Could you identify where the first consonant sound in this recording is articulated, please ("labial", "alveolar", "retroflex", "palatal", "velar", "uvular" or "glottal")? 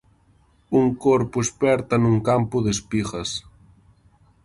velar